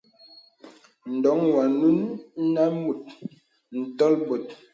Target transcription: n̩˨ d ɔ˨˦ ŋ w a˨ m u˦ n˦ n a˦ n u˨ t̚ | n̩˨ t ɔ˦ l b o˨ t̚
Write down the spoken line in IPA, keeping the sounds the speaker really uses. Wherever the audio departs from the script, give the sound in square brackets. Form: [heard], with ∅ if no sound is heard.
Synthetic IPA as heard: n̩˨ d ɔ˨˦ ŋ w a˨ [n] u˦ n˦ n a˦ [m] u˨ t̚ | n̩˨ t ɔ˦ l b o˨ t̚